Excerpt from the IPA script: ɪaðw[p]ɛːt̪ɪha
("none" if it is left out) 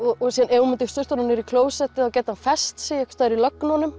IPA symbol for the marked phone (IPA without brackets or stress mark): c